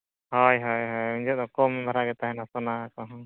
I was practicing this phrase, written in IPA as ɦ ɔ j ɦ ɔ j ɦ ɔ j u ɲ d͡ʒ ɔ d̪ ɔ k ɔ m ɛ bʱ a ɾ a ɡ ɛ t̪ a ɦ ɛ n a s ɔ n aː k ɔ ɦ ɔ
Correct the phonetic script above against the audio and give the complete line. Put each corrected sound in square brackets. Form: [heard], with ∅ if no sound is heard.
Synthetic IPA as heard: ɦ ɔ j ɦ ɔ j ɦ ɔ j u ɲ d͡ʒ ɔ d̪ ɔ k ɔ m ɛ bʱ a ɾ a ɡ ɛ t̪ a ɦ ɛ n a s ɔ n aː k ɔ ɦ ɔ